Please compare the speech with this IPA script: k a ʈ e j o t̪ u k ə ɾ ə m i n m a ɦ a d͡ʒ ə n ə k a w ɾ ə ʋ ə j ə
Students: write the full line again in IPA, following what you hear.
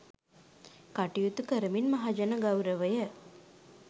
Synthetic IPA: k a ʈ i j u t̪ u k ə ɾ ə m i n m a ɦ a d͡ʒ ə n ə ɡ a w ɾ ə ʋ ə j ə